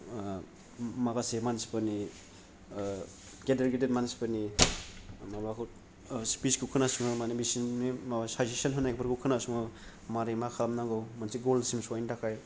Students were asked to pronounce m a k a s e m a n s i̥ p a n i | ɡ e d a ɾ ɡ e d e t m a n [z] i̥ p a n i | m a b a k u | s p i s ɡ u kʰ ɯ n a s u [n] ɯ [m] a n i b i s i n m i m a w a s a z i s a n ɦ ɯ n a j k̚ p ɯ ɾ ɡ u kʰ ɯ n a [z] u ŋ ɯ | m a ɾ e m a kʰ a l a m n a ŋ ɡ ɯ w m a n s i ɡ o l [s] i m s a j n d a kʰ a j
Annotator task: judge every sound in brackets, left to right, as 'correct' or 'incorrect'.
incorrect, incorrect, correct, incorrect, correct

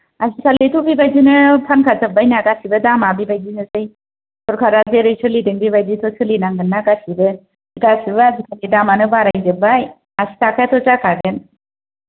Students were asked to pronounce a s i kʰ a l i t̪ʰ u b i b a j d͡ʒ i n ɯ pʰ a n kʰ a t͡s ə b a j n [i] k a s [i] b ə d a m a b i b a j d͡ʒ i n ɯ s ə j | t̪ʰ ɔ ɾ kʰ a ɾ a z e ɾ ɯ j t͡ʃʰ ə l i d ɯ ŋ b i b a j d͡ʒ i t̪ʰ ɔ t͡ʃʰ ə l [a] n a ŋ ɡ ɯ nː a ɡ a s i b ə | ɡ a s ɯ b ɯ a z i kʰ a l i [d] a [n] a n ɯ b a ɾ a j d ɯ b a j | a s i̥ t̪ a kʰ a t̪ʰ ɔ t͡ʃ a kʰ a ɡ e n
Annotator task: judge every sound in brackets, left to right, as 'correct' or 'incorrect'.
incorrect, correct, incorrect, correct, incorrect

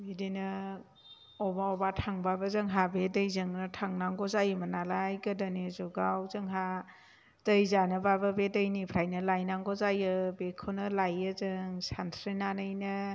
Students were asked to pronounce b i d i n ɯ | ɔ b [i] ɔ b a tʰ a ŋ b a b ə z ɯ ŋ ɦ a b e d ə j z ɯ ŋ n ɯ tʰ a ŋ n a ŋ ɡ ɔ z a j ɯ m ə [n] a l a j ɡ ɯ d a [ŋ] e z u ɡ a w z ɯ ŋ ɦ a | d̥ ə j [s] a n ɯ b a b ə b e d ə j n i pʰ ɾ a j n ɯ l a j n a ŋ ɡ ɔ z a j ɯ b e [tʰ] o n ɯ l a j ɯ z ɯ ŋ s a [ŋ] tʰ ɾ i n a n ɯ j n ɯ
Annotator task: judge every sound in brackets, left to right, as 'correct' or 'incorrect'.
incorrect, correct, incorrect, incorrect, incorrect, incorrect

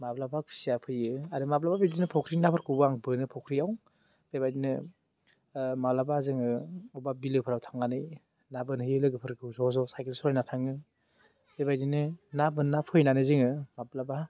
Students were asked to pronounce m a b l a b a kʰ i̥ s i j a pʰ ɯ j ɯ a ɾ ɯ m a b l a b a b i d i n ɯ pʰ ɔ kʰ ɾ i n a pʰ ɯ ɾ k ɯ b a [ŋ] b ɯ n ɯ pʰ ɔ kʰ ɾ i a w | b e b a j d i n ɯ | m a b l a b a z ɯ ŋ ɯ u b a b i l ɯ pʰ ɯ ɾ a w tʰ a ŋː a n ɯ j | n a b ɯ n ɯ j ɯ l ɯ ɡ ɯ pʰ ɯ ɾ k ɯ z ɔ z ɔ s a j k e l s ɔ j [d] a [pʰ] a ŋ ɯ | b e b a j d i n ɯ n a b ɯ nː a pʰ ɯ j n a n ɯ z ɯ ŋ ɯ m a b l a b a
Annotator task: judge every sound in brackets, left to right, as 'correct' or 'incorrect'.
correct, incorrect, incorrect

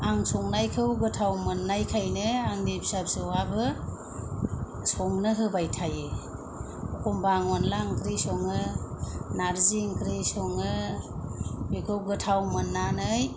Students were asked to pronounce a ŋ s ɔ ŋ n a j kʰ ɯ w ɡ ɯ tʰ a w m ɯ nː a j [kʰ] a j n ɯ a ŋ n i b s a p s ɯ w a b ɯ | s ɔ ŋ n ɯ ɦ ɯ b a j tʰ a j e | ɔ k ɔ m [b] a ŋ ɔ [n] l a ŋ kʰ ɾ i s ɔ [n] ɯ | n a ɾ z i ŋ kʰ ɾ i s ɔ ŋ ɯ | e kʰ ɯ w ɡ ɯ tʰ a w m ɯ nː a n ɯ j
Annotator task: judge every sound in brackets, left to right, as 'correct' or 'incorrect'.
correct, correct, correct, incorrect

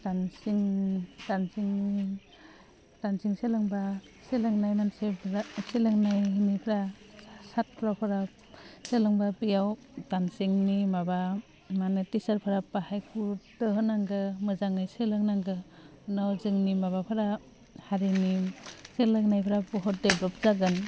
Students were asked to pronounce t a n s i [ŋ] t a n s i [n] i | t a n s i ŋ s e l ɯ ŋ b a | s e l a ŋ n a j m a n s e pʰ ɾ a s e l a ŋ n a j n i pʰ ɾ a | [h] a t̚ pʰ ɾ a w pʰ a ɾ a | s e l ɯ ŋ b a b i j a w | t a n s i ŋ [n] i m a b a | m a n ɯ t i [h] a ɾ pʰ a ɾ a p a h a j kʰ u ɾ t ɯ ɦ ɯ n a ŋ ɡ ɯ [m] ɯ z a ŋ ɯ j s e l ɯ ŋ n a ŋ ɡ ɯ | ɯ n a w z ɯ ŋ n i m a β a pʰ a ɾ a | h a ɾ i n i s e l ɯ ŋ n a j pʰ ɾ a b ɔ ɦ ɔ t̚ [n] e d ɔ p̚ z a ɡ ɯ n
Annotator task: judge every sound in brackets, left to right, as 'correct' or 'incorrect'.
correct, incorrect, incorrect, correct, incorrect, correct, incorrect

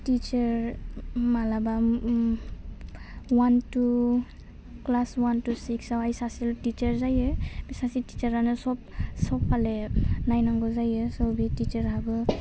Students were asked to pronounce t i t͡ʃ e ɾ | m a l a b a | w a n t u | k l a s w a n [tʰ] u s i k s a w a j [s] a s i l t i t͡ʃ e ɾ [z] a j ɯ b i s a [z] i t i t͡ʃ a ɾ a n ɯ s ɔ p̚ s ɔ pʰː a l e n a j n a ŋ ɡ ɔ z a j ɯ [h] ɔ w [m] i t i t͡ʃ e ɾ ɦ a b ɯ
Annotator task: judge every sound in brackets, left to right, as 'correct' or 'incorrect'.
incorrect, correct, correct, incorrect, incorrect, incorrect

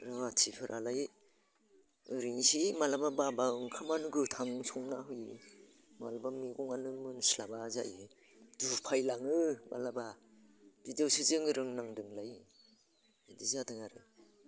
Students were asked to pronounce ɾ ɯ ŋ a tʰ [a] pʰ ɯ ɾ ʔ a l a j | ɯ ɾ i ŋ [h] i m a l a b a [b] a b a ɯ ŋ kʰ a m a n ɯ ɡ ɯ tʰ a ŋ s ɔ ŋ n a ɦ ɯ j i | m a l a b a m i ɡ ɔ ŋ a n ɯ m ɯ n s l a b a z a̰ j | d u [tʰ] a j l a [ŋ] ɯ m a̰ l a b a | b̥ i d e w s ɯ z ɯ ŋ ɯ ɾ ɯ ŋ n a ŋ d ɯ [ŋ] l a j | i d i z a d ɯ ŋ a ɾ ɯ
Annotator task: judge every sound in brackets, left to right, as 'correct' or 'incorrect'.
incorrect, incorrect, correct, incorrect, correct, correct

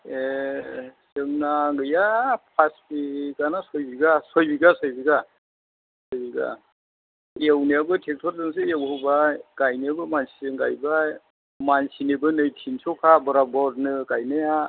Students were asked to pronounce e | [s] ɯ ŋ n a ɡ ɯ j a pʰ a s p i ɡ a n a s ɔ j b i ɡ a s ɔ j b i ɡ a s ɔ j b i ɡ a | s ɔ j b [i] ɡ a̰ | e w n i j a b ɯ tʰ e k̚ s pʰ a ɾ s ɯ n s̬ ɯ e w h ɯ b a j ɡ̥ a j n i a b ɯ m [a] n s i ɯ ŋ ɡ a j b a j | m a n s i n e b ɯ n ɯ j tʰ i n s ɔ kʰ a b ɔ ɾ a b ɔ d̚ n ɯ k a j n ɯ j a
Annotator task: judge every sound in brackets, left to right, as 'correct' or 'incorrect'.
correct, correct, correct

